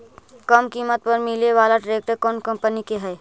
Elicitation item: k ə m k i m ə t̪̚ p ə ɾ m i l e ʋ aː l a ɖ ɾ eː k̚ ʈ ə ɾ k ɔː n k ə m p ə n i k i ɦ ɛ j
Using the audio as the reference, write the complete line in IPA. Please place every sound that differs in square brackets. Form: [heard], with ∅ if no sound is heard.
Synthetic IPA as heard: k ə m k i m ə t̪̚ p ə ɾ m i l e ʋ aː l a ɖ ɾ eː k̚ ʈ ə ɾ k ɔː n k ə m p ə n i k [e] ɦ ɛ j